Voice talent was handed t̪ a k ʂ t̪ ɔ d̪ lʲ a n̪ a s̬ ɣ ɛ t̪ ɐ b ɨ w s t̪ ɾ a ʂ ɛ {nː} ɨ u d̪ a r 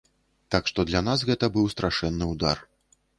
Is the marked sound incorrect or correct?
correct